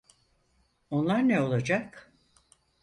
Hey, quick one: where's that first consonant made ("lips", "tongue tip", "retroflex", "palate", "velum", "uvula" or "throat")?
tongue tip